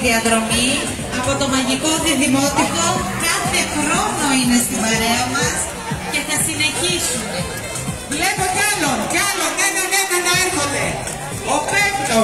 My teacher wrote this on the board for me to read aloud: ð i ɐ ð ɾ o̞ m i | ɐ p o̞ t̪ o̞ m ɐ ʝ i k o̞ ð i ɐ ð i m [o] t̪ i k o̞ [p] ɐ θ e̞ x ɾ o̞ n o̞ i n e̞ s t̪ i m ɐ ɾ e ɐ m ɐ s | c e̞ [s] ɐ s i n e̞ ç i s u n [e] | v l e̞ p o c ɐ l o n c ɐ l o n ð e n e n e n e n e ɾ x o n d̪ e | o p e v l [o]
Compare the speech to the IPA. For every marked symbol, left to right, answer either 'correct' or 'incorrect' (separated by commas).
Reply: correct, incorrect, incorrect, correct, correct